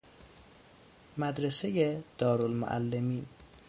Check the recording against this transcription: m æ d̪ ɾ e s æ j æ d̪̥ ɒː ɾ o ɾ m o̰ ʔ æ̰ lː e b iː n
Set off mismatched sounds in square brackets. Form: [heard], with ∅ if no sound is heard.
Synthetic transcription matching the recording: m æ d̪ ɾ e s [e] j [e] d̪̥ ɒː ɾ o [l] m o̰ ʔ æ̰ lː e [m] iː n